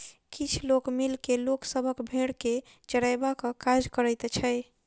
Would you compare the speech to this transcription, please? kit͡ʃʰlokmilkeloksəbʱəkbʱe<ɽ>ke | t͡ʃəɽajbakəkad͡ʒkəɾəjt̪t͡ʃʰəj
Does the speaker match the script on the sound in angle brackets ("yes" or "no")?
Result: yes